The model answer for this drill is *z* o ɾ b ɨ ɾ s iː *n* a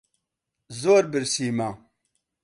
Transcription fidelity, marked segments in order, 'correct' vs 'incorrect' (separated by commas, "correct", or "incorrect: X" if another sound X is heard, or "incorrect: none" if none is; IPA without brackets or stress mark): correct, incorrect: m